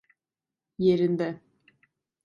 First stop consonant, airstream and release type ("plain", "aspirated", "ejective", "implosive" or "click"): plain